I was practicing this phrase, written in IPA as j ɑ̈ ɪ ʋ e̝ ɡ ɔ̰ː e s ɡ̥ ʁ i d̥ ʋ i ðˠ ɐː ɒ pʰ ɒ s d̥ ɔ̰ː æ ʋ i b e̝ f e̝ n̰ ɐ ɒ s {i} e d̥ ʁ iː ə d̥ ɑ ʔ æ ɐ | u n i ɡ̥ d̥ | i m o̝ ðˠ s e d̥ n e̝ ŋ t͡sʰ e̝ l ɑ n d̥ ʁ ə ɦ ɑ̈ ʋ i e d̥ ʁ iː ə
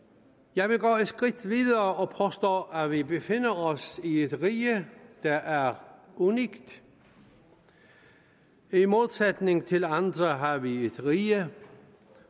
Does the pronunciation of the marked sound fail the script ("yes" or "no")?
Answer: no